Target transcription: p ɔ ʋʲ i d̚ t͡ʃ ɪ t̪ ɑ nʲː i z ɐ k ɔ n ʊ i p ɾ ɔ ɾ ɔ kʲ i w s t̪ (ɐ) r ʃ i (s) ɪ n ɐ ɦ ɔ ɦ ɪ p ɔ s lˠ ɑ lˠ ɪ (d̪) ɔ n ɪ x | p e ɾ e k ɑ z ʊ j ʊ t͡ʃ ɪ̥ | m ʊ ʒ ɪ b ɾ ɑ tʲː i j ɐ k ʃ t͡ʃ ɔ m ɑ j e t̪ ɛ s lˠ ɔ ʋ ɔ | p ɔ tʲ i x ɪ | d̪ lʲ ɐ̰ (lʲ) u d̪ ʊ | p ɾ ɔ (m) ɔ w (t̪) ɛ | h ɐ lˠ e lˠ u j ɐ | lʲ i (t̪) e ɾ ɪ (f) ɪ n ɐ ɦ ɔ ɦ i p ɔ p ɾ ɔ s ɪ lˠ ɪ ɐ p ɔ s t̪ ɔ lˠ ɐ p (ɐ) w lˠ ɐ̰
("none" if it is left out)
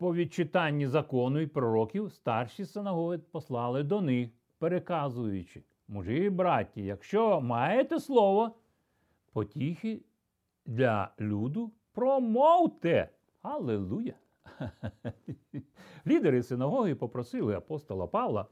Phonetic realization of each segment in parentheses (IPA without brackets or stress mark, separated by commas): ɑ, s, d̪, lʲ, m, t̪, d̪, s, ɑ